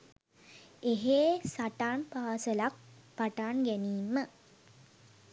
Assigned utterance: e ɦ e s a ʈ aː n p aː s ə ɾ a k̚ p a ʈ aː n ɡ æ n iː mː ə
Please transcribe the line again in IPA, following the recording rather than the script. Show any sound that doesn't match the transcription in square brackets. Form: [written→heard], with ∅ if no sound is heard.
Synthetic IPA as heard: e ɦ e s a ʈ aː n p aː s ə [ɾ→l] a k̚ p a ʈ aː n ɡ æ n iː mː ə